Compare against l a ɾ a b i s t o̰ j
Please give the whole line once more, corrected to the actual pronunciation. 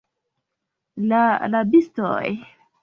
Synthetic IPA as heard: l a l a b i s t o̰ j